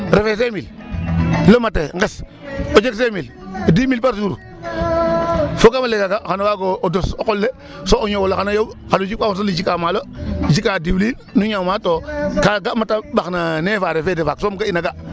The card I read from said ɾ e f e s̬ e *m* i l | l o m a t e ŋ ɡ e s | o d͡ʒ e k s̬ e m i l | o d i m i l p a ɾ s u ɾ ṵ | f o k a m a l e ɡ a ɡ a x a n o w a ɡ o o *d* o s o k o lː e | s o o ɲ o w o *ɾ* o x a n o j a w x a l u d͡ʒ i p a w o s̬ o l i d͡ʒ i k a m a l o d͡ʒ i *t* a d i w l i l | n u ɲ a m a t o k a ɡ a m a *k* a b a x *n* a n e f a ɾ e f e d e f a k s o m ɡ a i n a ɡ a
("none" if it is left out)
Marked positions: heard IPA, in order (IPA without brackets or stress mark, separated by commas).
m, d, l, k, t, n